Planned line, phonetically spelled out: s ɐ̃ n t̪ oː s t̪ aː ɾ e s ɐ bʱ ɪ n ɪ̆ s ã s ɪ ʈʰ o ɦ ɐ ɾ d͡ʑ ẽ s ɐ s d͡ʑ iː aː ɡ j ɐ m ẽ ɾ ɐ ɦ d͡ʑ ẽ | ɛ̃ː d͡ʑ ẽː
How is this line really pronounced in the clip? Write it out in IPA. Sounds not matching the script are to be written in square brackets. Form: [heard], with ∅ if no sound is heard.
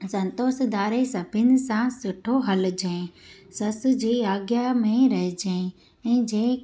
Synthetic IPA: s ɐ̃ n t̪ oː s [d̪] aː ɾ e s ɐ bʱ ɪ n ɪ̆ s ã s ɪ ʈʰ o ɦ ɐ [l] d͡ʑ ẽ s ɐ s d͡ʑ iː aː ɡ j [a] m ẽ ɾ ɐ ɦ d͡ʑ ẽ | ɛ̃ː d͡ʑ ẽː